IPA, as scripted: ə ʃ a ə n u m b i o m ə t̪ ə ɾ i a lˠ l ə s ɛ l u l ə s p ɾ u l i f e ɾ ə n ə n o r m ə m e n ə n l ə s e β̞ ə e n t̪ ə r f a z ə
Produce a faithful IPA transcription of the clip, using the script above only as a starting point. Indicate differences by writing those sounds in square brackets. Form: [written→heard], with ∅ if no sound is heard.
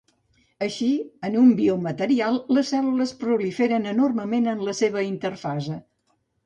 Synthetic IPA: ə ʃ [a→i] ə n u m b i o m ə t̪ ə ɾ i a lˠ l ə s ɛ l u l ə s p ɾ u l i f e ɾ ə n ə n o r m ə m e n ə n l ə s e β̞ ə [e→i] n t̪ ə r f a z ə